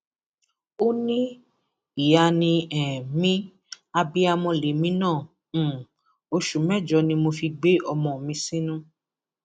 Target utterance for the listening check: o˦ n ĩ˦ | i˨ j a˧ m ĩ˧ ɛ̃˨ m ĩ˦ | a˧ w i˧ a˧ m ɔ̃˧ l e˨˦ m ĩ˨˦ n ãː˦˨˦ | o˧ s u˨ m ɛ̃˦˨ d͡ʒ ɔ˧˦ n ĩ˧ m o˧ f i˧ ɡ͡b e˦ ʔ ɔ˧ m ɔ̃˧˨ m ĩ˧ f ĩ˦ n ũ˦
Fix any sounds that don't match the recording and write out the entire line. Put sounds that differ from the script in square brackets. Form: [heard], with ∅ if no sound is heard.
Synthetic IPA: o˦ n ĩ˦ | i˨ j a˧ [n] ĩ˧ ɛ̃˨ m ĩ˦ | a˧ [b] i˧ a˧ m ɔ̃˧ l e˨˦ m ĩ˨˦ n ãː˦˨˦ | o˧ [ʃ] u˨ m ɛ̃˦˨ d͡ʒ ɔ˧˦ n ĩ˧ m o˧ f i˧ ɡ͡b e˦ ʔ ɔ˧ m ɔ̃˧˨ m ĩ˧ [s] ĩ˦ n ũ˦